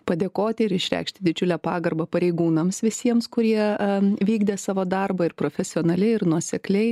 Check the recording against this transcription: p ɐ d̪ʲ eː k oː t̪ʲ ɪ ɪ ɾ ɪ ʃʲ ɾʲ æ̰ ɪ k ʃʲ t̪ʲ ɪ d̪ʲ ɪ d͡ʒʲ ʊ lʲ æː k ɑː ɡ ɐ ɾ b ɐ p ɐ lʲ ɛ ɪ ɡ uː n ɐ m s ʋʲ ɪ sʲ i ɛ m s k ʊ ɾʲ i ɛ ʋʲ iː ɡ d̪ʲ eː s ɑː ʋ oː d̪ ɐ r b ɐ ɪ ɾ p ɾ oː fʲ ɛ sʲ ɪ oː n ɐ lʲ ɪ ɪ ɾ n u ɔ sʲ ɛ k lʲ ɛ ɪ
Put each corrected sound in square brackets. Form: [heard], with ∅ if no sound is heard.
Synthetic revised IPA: p ɐ d̪ʲ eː k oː t̪ʲ ɪ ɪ ɾ ɪ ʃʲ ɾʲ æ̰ ɪ k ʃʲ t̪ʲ ɪ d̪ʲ ɪ d͡ʒʲ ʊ lʲ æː [p] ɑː ɡ ɐ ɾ b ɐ p ɐ [ɾʲ] ɛ ɪ ɡ uː n ɐ m s ʋʲ ɪ sʲ i ɛ m s k ʊ ɾʲ i ɛ ʋʲ iː ɡ d̪ʲ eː s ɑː ʋ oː d̪ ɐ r b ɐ ɪ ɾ p ɾ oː fʲ ɛ sʲ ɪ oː n ɐ lʲ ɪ ɪ ɾ n u ɔ sʲ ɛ k lʲ ɛ ɪ